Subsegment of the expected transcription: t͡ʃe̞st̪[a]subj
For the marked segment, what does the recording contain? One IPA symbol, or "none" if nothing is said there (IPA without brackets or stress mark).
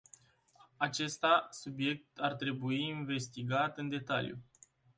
a